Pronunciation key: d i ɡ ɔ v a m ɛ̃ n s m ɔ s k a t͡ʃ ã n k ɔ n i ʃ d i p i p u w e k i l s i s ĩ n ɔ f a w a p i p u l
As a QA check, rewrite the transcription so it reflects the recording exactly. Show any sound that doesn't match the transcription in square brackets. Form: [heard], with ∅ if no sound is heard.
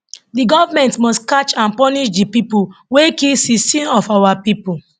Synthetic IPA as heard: d i ɡ ɔ v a m ɛ̃ n [t] m ɔ s k a t͡ʃ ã n [p] ɔ n i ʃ d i p i p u w e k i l s i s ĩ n ɔ f a w a p i p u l